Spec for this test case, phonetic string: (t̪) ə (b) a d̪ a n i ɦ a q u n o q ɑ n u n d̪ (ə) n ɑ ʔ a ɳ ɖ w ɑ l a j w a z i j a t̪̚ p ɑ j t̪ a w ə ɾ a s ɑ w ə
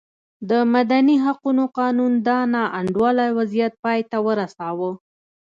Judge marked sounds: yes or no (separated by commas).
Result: no, no, no